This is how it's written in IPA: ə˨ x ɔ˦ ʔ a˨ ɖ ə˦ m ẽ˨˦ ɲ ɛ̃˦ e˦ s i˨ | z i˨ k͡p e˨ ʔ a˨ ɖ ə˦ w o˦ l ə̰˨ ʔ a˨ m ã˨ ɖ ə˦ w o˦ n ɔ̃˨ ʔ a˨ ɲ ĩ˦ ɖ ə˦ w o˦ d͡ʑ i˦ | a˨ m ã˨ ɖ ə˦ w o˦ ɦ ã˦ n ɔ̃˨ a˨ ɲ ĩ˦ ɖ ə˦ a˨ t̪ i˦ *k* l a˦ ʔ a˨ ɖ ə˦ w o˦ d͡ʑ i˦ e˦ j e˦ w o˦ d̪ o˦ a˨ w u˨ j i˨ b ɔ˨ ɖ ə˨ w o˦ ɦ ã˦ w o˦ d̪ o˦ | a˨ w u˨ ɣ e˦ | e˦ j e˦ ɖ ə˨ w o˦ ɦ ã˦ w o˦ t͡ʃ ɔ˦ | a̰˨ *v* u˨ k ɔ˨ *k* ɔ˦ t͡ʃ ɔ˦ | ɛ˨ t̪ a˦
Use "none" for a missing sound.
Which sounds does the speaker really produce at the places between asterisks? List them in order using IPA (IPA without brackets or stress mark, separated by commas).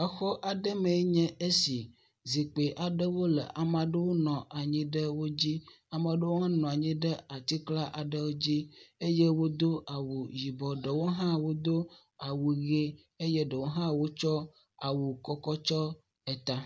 k, w, k